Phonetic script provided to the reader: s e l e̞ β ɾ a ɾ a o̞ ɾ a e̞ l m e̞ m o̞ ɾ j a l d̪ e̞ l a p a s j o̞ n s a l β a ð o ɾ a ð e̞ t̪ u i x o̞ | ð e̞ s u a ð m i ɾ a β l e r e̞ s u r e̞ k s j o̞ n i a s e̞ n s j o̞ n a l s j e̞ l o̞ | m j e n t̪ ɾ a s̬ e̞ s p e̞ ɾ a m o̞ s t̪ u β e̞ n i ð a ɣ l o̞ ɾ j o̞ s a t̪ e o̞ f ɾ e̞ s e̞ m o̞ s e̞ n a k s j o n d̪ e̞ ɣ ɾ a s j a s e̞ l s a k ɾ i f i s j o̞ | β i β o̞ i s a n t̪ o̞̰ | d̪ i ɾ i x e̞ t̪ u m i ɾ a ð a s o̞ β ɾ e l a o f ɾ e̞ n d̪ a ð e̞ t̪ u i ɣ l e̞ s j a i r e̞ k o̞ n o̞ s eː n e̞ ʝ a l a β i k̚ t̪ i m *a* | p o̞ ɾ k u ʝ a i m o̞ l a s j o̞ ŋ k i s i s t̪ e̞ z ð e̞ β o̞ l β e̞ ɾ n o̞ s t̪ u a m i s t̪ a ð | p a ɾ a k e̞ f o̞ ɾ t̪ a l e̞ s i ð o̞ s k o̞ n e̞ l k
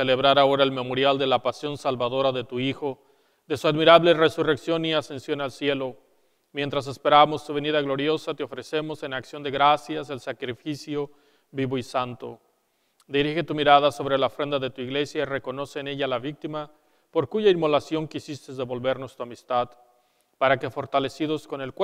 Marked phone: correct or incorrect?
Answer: correct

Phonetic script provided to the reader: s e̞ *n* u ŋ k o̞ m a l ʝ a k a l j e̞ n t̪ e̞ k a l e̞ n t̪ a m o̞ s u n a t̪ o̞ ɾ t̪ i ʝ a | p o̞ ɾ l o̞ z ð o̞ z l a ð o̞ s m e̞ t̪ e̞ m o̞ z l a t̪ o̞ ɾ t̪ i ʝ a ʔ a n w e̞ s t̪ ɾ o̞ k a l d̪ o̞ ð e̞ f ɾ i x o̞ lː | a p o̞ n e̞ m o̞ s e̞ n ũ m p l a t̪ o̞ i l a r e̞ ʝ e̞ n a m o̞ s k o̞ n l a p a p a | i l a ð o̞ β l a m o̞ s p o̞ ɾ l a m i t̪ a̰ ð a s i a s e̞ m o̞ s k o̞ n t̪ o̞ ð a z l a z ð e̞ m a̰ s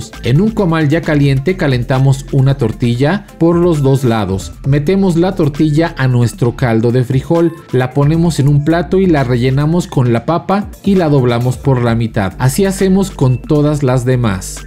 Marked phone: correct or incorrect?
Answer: correct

